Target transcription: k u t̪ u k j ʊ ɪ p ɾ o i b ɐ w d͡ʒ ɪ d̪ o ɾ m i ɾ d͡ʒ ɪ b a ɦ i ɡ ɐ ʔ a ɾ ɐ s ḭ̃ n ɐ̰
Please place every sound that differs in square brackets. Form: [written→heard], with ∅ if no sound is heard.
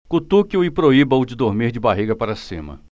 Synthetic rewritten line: k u t̪ u k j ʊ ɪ p ɾ o i b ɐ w d͡ʒ ɪ d̪ o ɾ m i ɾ d͡ʒ ɪ b a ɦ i ɡ ɐ [ʔ→p] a ɾ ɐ s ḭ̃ [n→m] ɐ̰